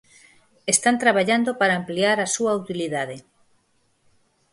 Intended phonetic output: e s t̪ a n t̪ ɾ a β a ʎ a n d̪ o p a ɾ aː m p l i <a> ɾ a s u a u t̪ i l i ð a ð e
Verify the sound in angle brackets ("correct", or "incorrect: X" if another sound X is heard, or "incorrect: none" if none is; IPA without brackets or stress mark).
correct